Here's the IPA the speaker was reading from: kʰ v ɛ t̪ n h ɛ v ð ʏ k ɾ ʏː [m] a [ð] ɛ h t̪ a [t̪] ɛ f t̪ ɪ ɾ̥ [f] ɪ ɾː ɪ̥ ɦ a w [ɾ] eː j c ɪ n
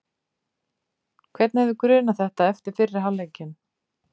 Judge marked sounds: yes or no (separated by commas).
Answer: no, no, no, yes, no